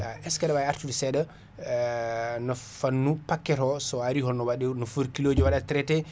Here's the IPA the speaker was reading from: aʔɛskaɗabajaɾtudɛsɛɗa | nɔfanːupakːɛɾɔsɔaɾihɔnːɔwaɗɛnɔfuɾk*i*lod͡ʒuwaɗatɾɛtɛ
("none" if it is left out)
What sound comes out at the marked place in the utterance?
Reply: i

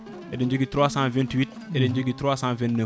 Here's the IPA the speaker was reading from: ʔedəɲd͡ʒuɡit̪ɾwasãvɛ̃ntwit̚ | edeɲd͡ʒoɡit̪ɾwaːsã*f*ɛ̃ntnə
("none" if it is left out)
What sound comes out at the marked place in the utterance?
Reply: v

